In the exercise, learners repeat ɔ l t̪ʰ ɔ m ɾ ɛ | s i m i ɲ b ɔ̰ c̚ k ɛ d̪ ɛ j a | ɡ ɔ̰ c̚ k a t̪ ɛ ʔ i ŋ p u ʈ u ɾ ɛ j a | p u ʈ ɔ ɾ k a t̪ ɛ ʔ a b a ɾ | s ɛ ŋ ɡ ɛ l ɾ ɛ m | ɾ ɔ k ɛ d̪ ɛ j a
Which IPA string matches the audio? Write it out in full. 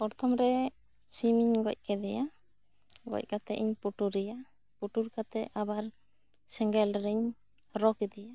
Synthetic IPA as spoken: ɔ ɾ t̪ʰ ɔ m ɾ ɛ | s i m i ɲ ɡ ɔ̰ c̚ k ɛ d̪ ɛ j a | ɡ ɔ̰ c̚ k a t̪ ɛ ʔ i ɲ p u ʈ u ɾ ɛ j a | p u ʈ u ɾ k a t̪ ɛ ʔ a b a ɾ | s ɛ ŋ ɡ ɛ l ɾ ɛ ɲ | ɾ ɔ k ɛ d̪ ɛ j a